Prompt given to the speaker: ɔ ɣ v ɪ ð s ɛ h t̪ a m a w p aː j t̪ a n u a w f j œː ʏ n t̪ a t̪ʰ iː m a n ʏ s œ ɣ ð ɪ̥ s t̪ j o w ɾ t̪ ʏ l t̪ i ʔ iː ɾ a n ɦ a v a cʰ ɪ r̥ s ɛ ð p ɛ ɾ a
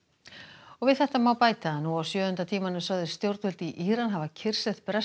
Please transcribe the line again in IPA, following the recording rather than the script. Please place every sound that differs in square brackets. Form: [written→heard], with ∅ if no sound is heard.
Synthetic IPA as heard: ɔ ɣ v ɪ ð [s→θ] ɛ h t̪ a m a w p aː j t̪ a n u a w [f→s] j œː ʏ n t̪ a t̪ʰ iː m a n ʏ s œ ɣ ð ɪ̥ s t̪ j o w ɾ t̪ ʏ l t̪ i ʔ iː ɾ a n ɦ a v a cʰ ɪ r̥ s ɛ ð p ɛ ɾ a